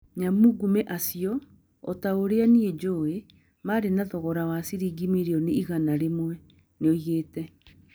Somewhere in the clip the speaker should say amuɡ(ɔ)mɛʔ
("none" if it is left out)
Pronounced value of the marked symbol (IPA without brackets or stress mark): u